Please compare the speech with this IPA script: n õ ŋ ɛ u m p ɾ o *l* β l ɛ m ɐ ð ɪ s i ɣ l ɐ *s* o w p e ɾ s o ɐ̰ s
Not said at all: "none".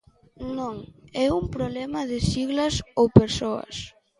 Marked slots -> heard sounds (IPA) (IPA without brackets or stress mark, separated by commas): none, s